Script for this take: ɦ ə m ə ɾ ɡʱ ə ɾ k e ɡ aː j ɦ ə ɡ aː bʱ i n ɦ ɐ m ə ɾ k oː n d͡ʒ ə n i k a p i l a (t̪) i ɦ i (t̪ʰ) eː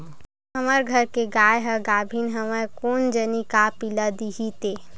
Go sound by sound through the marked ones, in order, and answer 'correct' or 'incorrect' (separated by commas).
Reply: incorrect, incorrect